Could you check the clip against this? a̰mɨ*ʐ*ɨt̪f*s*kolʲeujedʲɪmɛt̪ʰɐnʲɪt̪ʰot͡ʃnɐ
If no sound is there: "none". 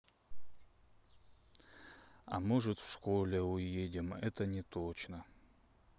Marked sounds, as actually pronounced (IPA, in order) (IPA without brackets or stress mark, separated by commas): ʐ, ʂ